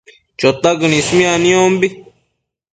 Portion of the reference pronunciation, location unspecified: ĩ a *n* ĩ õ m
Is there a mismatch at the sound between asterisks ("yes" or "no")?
no